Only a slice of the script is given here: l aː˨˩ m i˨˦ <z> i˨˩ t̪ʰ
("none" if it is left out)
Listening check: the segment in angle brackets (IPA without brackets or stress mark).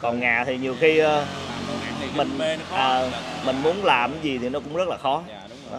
z